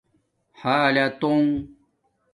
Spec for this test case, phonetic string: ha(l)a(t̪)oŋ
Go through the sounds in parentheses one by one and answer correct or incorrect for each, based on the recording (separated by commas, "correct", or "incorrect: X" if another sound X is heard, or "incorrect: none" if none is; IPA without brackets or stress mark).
correct, correct